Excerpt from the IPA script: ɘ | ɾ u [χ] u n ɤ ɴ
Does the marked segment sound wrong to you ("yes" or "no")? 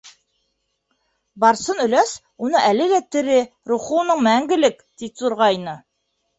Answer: no